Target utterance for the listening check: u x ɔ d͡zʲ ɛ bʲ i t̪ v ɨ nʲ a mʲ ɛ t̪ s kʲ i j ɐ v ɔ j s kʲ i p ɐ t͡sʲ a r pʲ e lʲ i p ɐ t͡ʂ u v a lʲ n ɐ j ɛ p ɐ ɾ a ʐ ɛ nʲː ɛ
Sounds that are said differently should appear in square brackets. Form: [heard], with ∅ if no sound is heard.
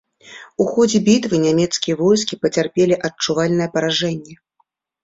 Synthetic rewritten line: u x ɔ d͡zʲ ɛ bʲ i t̪ v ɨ nʲ a mʲ ɛ t̪ s kʲ i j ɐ v ɔ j s kʲ i p ɐ t͡sʲ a r pʲ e lʲ i [ʔ] ɐ t͡ʂ u v a lʲ n ɐ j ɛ p ɐ ɾ a ʐ ɛ nʲː ɛ